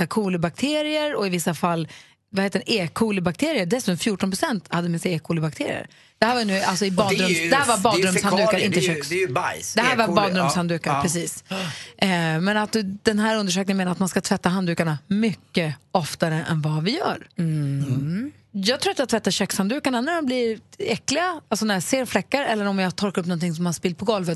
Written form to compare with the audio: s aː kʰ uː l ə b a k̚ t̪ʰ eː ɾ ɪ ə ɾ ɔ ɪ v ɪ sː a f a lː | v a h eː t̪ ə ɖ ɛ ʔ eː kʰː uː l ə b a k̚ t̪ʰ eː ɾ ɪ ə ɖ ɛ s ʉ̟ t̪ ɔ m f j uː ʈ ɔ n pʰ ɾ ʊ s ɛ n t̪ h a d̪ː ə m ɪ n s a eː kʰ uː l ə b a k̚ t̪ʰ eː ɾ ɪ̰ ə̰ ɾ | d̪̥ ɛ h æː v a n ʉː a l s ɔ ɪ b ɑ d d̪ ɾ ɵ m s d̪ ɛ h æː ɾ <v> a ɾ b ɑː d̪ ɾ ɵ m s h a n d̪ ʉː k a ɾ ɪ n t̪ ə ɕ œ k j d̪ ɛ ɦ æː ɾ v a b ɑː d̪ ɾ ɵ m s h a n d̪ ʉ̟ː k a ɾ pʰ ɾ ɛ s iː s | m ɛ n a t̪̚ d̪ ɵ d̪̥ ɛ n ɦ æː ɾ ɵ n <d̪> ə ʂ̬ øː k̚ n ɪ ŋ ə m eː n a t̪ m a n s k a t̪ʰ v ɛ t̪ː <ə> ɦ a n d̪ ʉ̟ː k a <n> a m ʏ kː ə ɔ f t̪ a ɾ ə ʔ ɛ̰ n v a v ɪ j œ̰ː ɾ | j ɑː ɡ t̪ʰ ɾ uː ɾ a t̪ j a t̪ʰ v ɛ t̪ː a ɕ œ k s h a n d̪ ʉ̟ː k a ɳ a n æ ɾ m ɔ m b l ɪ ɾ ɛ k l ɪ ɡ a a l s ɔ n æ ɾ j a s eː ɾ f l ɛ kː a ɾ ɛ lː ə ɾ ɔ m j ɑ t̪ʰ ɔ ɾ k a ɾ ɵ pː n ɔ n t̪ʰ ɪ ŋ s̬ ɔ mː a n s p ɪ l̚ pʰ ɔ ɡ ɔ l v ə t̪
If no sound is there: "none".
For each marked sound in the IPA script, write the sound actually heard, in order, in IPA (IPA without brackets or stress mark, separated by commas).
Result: v, d̪, a, ɳ